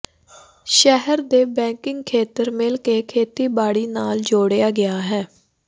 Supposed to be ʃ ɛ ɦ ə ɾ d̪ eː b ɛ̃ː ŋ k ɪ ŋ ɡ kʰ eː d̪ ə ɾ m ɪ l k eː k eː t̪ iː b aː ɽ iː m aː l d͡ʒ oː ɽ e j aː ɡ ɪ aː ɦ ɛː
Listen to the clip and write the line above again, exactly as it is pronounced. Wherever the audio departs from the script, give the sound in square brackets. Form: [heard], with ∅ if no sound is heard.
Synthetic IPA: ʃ ɛ ɦ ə ɾ d̪ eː b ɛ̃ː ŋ k ɪ ŋ ɡ kʰ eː [t̪] ə ɾ m ɪ l k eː [kʰ] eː t̪ iː b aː ɽ iː [n] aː l d͡ʒ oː ɽ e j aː ɡ ɪ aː ɦ ɛː